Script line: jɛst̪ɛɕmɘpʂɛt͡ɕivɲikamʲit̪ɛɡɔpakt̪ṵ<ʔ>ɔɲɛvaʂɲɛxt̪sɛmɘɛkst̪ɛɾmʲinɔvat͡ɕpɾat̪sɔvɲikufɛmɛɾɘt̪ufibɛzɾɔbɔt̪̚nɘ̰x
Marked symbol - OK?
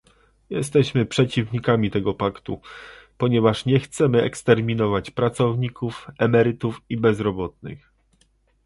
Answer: no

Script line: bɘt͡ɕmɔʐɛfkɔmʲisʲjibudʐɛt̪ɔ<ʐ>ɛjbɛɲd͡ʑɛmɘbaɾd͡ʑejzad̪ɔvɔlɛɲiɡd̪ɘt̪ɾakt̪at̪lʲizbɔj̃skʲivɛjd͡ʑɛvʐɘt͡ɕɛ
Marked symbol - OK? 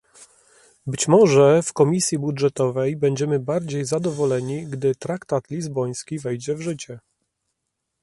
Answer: no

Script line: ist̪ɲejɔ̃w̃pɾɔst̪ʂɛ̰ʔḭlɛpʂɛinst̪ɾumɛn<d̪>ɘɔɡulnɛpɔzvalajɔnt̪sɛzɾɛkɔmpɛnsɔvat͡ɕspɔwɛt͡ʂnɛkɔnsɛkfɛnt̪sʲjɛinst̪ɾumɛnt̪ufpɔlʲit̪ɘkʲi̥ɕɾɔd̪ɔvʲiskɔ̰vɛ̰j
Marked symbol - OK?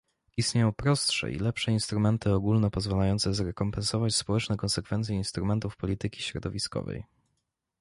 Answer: no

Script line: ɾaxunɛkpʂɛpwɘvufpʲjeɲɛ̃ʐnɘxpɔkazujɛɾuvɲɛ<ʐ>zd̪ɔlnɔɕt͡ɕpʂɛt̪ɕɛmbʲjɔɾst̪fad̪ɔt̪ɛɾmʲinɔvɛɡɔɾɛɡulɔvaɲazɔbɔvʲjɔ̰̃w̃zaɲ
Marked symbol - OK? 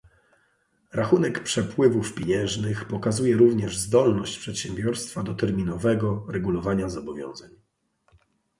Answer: yes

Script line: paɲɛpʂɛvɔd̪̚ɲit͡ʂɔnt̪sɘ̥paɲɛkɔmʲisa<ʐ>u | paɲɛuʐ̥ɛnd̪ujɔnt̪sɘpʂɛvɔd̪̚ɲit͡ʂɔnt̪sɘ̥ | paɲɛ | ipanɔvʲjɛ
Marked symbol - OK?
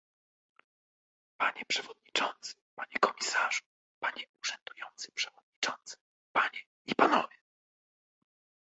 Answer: yes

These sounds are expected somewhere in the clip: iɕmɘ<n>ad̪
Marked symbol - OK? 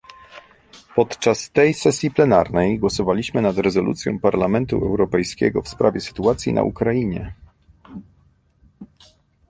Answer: yes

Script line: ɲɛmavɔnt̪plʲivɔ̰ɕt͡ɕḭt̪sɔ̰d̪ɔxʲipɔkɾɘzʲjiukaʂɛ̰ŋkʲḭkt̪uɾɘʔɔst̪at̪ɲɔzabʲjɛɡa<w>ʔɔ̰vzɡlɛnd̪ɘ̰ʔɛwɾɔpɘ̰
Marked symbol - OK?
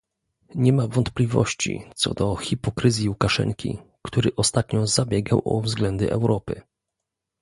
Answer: yes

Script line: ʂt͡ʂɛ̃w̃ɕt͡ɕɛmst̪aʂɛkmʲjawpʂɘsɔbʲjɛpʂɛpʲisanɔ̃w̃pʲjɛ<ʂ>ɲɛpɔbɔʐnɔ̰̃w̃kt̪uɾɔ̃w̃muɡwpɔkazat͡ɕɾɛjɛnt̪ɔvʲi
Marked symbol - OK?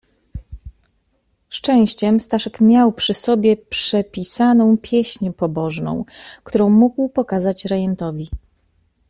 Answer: no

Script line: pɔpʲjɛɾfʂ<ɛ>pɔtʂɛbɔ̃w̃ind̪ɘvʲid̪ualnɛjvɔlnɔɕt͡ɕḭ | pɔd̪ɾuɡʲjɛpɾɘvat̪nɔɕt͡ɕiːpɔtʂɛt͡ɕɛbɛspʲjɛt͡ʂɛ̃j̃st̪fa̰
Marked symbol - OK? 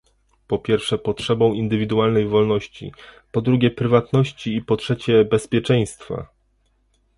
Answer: yes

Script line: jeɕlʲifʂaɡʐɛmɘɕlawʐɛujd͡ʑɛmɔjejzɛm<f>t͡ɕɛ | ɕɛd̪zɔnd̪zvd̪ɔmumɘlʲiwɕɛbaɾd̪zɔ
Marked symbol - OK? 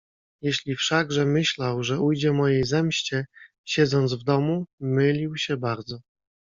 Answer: no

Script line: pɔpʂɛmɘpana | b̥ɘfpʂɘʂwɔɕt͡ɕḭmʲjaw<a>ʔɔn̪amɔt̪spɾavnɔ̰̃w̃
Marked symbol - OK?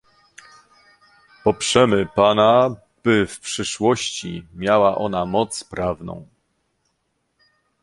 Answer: yes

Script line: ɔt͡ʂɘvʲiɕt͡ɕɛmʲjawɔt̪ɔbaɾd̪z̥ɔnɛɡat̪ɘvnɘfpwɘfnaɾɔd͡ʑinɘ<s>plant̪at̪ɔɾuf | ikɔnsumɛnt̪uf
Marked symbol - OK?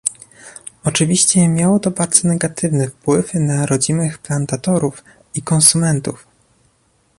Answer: no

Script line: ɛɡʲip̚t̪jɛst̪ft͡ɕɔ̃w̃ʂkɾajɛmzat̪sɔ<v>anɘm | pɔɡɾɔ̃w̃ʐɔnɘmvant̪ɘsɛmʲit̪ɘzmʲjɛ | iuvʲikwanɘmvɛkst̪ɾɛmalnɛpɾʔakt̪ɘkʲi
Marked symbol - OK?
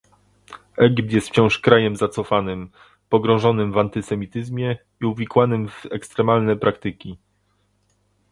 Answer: no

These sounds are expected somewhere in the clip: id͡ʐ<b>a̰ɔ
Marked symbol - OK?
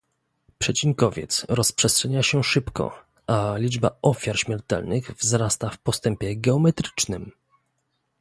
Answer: yes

